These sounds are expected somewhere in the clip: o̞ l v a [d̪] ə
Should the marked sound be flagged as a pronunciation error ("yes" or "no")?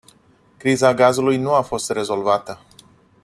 yes